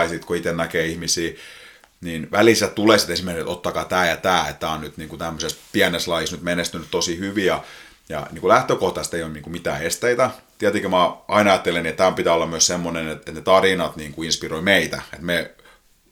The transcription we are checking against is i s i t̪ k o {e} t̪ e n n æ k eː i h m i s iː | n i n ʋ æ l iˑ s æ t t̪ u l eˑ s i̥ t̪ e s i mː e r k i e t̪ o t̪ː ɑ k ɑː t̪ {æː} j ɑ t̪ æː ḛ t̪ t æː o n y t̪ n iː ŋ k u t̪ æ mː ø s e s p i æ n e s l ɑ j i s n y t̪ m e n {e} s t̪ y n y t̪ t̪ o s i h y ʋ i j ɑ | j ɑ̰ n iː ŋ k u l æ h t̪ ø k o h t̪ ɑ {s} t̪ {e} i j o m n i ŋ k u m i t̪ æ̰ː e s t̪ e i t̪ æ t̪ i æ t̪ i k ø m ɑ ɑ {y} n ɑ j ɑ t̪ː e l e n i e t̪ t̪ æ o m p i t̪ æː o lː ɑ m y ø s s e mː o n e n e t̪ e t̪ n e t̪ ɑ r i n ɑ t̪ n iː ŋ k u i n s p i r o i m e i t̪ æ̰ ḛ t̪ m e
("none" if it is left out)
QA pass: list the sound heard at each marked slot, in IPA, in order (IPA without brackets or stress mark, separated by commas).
i, æː, e, s, e, i